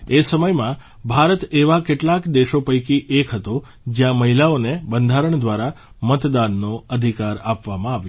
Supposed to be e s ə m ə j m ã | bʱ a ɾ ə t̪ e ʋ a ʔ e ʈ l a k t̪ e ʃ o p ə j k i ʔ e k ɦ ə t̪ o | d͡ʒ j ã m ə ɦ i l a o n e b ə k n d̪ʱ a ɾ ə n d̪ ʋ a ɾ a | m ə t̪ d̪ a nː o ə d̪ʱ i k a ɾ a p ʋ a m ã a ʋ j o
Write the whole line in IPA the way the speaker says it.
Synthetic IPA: e s ə m ə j m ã | bʱ a ɾ ə t̪ e ʋ a k e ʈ l a k d̪ e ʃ o p ə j k i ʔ e k ɦ ə t̪ o | d͡ʒ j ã m ə ɦ i l a o n e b ə n d̪ʱ a ɾ ə ɳ d̪ ʋ a ɾ a | m ə t̪ d̪ a nː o ə d̪ʱ i k a ɾ a p ʋ a m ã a ʋ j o